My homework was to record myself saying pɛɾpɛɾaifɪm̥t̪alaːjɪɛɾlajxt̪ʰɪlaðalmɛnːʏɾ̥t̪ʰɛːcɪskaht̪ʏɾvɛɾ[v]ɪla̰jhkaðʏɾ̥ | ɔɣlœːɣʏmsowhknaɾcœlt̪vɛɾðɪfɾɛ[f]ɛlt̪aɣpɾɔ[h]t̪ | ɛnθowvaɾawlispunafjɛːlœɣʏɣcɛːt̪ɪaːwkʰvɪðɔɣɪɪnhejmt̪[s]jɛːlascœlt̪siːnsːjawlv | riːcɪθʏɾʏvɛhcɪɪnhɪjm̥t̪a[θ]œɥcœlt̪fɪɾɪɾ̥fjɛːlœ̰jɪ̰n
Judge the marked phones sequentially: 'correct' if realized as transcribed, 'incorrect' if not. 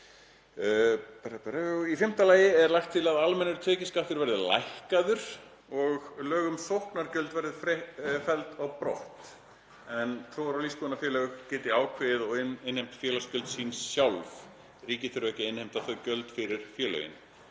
incorrect: ð, correct, correct, incorrect: f, correct

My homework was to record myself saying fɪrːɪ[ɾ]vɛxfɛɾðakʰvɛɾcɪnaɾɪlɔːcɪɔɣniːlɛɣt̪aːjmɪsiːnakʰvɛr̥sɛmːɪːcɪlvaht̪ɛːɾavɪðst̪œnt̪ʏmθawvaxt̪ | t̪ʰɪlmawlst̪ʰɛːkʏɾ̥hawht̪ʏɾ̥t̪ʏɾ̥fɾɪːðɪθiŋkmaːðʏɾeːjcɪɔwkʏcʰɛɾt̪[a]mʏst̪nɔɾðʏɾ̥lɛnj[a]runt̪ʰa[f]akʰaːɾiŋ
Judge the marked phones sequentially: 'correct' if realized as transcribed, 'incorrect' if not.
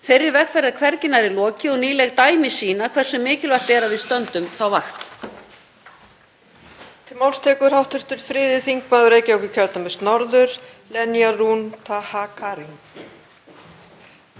correct, correct, correct, incorrect: h

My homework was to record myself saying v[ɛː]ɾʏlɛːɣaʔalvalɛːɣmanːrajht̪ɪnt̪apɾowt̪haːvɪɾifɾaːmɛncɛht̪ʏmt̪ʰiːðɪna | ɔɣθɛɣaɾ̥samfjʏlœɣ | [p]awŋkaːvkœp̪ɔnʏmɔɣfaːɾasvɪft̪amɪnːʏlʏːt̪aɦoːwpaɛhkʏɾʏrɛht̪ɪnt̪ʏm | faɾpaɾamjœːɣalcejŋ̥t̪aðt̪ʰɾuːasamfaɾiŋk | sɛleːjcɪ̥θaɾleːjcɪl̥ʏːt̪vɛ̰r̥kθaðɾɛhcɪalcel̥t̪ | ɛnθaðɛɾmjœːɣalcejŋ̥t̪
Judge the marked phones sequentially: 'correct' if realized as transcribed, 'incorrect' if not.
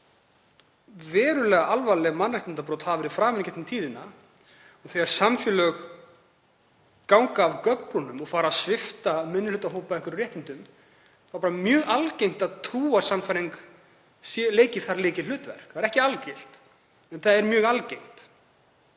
correct, incorrect: k

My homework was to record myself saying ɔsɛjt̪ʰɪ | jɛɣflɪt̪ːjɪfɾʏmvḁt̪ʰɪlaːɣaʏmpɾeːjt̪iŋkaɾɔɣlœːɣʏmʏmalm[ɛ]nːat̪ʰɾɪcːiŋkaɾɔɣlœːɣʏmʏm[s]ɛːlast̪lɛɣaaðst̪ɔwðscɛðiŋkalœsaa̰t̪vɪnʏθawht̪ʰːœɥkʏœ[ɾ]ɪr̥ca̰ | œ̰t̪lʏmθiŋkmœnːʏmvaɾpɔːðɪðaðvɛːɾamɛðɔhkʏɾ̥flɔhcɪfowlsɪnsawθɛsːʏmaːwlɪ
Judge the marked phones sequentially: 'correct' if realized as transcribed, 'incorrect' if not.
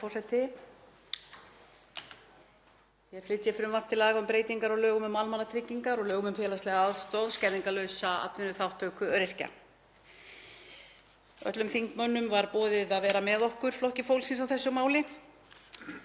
incorrect: a, incorrect: f, correct

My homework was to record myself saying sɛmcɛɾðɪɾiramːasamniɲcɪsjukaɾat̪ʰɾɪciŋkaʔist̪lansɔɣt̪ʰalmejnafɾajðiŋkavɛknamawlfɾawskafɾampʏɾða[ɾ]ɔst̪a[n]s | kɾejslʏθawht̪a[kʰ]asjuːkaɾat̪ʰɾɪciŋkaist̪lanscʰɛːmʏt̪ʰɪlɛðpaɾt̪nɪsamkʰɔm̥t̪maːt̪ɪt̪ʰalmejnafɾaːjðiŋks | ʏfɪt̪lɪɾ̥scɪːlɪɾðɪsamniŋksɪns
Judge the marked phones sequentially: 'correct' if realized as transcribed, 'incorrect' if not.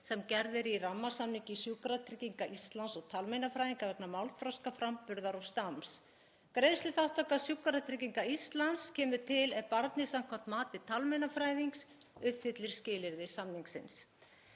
correct, incorrect: m, incorrect: k

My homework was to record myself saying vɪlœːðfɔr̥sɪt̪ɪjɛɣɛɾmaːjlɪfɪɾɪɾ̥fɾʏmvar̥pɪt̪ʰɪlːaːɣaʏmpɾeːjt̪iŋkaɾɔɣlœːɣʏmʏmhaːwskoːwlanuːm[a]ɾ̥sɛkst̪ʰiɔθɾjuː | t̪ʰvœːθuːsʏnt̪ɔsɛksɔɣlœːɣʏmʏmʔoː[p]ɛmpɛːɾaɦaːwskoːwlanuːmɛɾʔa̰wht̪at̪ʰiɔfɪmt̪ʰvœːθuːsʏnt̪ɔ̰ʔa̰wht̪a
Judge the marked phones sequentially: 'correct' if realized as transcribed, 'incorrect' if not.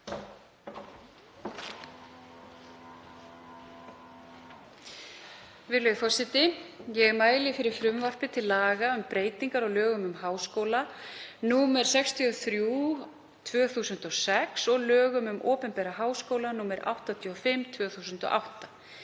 incorrect: ɛ, correct

